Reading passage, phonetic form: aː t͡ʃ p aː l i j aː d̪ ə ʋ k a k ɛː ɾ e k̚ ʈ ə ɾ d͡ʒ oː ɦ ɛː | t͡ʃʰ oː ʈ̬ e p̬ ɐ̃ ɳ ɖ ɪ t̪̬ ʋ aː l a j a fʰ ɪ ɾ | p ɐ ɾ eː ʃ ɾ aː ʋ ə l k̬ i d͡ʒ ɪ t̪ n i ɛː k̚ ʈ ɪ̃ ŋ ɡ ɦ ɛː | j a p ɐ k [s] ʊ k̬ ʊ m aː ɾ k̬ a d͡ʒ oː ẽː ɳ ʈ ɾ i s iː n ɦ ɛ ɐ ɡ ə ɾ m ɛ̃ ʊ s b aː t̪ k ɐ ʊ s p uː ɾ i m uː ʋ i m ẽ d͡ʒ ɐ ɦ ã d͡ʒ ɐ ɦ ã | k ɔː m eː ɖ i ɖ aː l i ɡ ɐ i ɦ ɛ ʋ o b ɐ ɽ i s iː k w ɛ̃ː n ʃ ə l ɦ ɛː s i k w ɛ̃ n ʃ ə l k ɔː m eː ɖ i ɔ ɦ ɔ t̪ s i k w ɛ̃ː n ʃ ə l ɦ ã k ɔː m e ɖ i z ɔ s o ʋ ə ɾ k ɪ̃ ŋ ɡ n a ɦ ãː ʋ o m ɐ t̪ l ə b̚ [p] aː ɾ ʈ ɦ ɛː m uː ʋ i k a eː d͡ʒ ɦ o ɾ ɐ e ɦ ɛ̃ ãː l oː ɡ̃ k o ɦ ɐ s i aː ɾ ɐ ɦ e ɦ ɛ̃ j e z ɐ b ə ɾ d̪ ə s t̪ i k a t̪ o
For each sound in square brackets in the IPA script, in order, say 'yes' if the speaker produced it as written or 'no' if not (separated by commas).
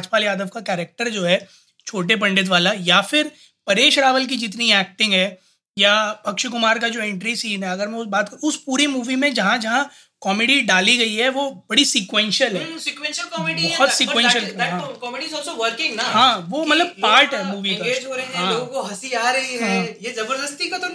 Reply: no, yes